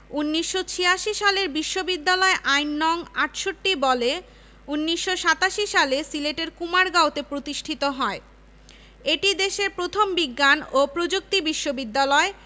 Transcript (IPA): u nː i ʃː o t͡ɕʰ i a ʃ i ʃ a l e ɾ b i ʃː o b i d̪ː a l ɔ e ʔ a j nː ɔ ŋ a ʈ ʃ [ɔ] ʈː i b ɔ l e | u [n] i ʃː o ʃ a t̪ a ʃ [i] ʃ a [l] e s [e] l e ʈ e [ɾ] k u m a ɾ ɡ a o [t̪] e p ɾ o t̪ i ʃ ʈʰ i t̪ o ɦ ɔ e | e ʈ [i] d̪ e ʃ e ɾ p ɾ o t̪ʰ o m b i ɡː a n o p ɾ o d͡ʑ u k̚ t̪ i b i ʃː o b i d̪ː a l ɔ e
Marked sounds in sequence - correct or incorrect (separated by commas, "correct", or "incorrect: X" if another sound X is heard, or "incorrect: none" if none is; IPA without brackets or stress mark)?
incorrect: o, incorrect: nː, correct, correct, incorrect: i, correct, correct, correct